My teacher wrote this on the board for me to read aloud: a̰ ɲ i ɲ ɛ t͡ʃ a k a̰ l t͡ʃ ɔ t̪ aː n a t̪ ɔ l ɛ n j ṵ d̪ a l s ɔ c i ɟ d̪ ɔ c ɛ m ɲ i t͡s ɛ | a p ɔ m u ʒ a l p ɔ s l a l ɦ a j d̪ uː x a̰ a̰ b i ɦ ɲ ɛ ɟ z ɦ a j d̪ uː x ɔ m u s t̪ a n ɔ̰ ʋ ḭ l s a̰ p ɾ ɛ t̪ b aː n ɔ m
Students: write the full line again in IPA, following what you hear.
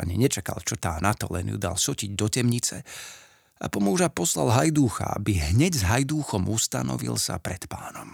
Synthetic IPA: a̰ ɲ i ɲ ɛ t͡ʃ a k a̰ l t͡ʃ ɔ t̪ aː n a t̪ ɔ l ɛ n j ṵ d̪ a l s ɔ c i ɟ d̪ ɔ c ɛ m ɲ i t͡s ɛ | a p ɔ m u ʒ a p ɔ s l a l ɦ a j d̪ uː x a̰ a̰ b i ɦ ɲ ɛ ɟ z ɦ a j d̪ uː x ɔ m u s t̪ a n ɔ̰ ʋ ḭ l s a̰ p ɾ ɛ t̪ p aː n ɔ m